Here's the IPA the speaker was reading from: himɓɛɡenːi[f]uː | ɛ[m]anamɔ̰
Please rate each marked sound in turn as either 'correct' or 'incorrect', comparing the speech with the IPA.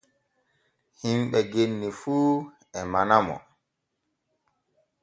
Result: correct, correct

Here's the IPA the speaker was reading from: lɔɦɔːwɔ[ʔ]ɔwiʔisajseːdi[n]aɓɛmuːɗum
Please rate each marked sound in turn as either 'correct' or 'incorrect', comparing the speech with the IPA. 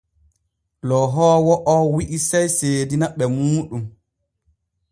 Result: correct, correct

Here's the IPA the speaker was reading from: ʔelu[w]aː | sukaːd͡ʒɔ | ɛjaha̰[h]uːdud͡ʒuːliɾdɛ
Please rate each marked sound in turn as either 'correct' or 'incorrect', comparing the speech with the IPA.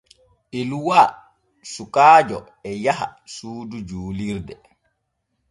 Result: correct, incorrect: s

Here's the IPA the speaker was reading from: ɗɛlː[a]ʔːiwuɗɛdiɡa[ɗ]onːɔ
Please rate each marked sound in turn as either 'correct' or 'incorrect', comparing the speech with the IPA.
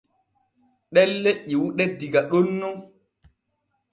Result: incorrect: e, correct

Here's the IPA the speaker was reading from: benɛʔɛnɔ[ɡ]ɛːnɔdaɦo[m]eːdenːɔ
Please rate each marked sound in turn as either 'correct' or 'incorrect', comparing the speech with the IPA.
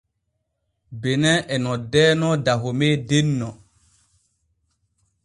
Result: incorrect: d, correct

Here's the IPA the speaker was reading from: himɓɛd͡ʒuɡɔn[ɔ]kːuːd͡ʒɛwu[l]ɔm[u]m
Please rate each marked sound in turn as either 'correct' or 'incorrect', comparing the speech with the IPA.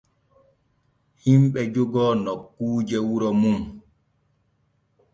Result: correct, incorrect: ɾ, correct

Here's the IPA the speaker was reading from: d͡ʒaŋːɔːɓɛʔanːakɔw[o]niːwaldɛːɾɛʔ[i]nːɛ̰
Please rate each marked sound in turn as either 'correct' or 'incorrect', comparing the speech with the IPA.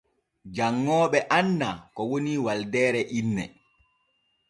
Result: correct, correct

